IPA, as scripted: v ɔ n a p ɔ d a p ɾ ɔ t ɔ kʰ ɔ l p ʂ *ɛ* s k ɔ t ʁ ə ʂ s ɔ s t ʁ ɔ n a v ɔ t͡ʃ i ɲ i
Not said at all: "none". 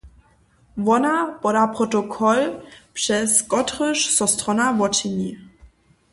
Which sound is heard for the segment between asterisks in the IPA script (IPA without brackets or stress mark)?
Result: ɛ